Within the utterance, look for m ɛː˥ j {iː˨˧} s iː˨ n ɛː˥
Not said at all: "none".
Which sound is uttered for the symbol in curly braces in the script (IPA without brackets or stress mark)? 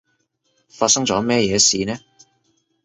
ɛː˨˧